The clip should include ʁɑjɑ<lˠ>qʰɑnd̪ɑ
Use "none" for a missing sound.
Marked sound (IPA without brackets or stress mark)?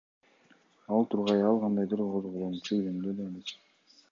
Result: lˠ